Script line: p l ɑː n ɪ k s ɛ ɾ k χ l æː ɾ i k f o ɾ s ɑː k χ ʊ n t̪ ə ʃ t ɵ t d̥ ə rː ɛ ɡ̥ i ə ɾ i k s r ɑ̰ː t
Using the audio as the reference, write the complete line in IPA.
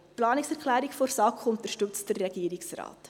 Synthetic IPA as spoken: p l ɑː n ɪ k s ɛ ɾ k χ l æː ɾ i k f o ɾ s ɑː k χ ʊ n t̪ ə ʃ t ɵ t͡s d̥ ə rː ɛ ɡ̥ i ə ɾ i k s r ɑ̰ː t